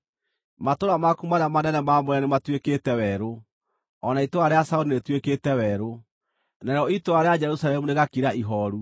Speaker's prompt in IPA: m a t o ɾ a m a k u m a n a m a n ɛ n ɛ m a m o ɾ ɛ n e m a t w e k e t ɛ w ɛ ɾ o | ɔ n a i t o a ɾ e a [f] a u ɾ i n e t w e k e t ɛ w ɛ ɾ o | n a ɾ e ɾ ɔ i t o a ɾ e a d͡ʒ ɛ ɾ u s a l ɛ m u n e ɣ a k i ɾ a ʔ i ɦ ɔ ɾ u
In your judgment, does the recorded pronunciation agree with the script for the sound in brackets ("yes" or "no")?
no